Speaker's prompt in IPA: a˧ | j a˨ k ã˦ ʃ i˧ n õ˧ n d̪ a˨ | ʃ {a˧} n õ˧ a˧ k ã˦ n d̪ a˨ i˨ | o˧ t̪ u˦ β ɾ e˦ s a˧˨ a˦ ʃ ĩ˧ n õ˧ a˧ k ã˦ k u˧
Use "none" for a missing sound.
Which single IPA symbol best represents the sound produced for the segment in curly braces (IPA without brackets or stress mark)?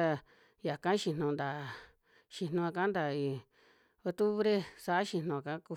i˧